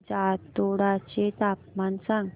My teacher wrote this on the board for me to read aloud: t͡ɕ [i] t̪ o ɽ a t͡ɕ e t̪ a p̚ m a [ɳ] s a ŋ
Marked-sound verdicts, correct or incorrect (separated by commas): incorrect, incorrect